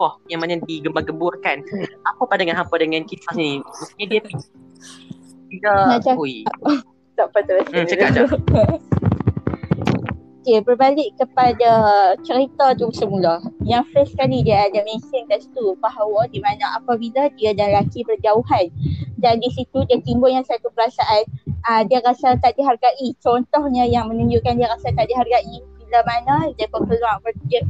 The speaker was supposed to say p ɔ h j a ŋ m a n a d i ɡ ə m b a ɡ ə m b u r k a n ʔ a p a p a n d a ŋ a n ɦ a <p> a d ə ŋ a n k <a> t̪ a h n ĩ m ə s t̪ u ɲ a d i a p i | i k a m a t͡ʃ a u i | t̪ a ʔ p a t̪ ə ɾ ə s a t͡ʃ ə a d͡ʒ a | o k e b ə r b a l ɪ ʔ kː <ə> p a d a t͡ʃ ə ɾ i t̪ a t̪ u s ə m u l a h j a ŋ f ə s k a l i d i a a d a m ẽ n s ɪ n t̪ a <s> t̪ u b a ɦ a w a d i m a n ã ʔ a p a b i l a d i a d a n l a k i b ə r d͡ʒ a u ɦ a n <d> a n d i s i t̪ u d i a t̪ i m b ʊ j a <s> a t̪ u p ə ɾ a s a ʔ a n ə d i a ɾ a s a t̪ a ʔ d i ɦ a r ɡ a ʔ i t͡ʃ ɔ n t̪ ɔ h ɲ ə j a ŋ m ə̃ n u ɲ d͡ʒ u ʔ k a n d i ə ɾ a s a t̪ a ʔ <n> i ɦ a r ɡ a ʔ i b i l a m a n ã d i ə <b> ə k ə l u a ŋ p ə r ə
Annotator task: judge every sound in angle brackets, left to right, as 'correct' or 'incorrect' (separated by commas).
correct, incorrect, correct, correct, correct, correct, incorrect, incorrect